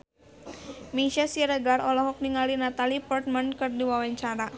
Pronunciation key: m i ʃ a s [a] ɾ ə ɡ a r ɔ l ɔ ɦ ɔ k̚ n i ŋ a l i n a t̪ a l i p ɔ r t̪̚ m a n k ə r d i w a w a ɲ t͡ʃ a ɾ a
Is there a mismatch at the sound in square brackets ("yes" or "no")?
yes